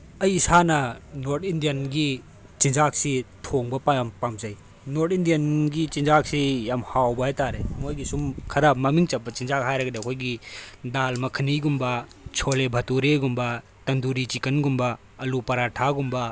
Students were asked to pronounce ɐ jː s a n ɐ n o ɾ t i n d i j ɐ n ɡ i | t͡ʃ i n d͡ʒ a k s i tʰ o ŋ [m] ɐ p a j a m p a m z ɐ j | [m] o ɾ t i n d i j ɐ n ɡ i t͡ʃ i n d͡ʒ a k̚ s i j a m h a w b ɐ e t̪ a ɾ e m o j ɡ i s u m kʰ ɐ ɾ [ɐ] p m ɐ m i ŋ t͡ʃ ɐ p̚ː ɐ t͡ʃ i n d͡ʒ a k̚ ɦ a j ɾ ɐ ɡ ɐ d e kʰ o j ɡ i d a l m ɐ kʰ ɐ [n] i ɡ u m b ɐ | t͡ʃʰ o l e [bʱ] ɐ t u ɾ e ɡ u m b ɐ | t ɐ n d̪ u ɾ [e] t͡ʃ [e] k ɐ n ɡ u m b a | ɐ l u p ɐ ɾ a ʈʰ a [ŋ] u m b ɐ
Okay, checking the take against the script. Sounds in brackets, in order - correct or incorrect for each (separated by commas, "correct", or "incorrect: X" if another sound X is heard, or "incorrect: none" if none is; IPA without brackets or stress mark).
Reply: incorrect: b, incorrect: n, incorrect: a, correct, correct, incorrect: i, incorrect: i, incorrect: ɡ